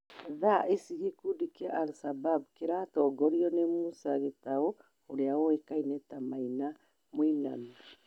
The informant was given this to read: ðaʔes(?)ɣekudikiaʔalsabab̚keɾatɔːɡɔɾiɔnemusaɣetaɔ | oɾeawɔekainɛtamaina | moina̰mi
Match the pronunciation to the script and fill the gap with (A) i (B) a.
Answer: A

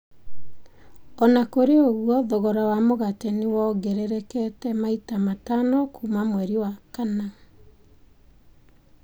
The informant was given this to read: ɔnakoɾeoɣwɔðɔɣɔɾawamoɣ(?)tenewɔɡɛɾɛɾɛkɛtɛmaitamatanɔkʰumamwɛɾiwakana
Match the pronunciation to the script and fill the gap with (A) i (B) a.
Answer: B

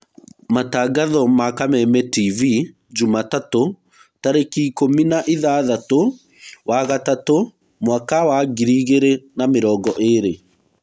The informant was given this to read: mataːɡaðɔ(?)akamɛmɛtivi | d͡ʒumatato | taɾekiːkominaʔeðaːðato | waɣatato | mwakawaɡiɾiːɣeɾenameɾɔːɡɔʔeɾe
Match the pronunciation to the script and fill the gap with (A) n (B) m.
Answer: B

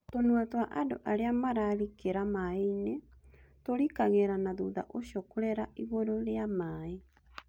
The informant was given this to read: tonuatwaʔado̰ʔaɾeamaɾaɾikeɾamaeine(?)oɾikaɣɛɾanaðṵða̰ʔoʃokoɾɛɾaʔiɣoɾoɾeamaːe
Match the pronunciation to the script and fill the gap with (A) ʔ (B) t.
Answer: B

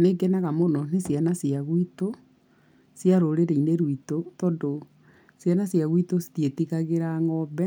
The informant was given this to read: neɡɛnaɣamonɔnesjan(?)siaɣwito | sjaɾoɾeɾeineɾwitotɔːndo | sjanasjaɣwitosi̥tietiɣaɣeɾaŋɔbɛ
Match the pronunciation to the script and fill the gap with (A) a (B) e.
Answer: A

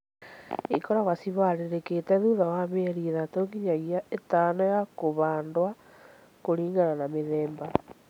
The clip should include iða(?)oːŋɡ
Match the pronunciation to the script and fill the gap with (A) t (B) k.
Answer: A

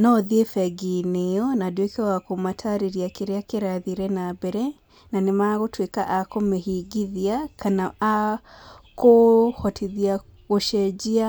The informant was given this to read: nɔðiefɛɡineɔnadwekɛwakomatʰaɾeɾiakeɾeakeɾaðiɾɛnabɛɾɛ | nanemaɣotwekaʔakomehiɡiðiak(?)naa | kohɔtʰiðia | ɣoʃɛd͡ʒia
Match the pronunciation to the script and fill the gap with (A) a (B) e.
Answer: A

